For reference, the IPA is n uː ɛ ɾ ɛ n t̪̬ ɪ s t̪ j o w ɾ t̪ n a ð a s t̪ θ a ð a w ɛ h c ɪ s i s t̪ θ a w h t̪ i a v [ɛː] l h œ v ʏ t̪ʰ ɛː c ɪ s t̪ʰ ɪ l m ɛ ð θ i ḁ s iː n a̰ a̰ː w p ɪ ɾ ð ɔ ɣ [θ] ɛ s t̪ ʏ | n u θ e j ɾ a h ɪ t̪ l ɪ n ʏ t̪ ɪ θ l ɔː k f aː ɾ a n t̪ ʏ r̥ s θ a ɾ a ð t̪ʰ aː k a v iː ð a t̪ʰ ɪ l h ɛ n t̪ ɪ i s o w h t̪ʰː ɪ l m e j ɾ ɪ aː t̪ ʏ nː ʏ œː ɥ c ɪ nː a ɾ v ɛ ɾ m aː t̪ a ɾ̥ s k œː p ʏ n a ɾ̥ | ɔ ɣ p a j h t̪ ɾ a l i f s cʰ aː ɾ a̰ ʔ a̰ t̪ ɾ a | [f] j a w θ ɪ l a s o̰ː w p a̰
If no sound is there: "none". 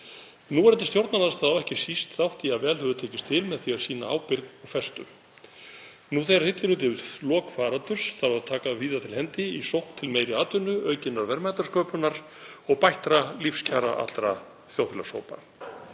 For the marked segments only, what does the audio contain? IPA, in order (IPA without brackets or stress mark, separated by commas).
ɛː, f, θ